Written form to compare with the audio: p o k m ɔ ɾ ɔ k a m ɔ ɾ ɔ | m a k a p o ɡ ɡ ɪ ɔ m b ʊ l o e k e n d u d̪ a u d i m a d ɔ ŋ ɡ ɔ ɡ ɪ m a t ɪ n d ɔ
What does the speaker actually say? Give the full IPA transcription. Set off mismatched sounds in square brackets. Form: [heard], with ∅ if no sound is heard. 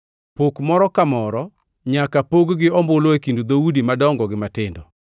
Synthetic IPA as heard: p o k m ɔ ɾ ɔ k a m ɔ ɾ ɔ | [ɲ] a k a p o ɡ ɡ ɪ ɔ m b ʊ l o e k [i] n d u d̪ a u d i m a d ɔ ŋ ɡ ɔ ɡ ɪ m a t ɪ n d ɔ